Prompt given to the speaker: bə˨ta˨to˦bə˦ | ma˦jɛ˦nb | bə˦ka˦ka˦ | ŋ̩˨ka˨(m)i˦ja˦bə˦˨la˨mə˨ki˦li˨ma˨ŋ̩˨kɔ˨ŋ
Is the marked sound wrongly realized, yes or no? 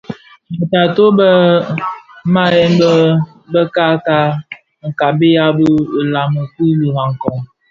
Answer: yes